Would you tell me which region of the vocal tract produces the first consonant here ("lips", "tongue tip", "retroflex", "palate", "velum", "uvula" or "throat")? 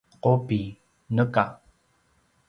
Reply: uvula